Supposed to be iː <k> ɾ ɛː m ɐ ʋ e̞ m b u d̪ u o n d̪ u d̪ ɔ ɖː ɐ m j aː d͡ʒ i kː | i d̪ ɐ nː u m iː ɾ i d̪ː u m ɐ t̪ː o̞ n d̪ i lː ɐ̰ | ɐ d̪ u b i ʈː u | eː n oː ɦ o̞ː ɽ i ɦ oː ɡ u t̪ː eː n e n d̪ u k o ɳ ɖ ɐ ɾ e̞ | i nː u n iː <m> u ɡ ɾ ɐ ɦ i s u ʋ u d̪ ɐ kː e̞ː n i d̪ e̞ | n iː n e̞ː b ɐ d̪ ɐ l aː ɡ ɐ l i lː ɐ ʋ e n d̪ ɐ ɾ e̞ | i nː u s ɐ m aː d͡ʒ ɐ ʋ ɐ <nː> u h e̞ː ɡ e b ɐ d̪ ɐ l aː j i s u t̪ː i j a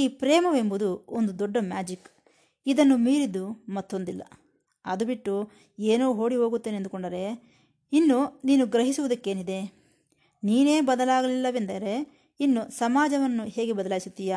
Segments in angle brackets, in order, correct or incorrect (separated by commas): incorrect, incorrect, correct